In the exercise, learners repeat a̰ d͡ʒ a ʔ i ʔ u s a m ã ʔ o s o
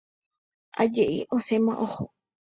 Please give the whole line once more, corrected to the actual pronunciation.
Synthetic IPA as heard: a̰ d͡ʒ e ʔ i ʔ o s e m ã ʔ o h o